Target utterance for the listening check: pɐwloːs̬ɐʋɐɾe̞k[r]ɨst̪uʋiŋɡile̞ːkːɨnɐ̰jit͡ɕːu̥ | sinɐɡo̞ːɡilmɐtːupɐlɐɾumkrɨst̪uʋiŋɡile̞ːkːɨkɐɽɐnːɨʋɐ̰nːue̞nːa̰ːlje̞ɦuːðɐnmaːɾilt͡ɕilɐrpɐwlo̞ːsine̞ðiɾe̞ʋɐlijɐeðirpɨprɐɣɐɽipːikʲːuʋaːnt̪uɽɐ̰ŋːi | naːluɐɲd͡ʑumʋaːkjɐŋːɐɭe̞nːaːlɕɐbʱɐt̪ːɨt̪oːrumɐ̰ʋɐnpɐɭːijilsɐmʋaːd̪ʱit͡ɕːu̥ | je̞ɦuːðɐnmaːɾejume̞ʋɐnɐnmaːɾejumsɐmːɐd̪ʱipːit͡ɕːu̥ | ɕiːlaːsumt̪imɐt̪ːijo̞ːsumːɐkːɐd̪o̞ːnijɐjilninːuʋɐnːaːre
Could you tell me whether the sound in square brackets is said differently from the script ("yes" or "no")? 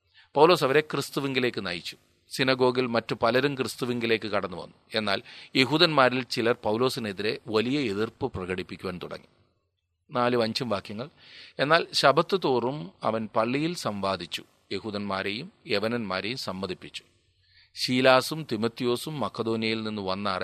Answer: no